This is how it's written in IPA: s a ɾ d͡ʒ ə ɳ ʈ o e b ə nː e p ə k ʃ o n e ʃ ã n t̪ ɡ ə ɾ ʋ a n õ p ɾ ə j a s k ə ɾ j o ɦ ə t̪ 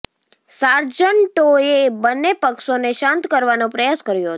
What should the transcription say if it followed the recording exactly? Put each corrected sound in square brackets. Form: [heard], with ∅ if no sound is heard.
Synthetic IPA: s a ɾ d͡ʒ ə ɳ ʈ o e b ə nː e p ə k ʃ o n e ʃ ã n t̪ [k] ə ɾ ʋ a n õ p ɾ ə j a s k ə ɾ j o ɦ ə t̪